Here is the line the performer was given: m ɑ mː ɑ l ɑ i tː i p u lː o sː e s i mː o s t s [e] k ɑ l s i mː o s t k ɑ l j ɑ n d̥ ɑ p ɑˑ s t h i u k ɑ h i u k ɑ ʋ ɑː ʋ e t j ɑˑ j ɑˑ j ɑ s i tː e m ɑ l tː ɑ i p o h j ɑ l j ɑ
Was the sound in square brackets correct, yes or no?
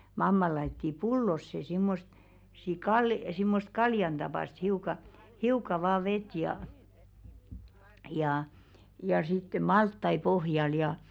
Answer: no